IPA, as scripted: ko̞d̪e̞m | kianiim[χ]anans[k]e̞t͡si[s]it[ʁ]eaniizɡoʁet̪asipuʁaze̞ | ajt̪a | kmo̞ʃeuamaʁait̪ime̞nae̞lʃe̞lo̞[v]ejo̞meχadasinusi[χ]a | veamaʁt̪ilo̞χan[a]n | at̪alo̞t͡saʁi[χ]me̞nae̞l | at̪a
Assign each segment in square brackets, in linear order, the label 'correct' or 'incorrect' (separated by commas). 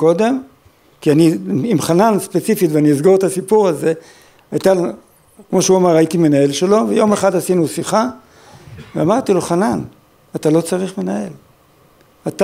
correct, incorrect, incorrect, incorrect, correct, correct, correct, correct